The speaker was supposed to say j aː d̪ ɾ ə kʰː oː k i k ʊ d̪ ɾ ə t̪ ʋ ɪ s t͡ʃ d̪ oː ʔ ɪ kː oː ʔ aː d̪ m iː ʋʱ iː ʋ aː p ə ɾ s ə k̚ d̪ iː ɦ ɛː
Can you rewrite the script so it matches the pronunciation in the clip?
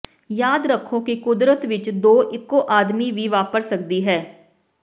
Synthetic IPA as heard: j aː d̪ ɾ ə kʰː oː k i k ʊ d̪ ɾ ə t̪ ʋ ɪ t͡ʃ d̪ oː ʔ ɪ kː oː ʔ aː d̪ m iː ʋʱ iː ʋ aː p ə ɾ s ə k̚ d̪ iː ɦ ɛː